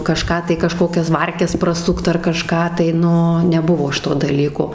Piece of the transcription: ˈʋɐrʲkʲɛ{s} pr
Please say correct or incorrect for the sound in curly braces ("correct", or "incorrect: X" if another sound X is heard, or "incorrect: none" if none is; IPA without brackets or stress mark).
correct